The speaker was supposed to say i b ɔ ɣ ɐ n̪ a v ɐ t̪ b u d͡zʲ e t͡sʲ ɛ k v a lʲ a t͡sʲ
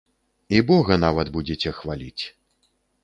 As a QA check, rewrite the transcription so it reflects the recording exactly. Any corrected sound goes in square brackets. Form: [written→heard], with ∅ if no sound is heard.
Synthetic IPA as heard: i b ɔ ɣ ɐ n̪ a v ɐ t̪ b u d͡zʲ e t͡sʲ ɛ [k→x] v a lʲ [a→i] t͡sʲ